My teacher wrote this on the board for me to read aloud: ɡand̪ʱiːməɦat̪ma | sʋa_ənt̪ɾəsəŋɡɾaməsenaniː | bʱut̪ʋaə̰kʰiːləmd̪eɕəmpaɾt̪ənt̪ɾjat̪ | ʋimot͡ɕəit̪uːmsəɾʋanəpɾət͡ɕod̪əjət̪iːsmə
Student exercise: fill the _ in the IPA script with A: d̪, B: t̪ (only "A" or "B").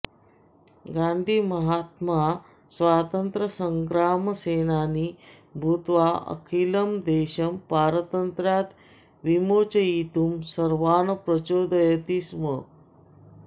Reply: B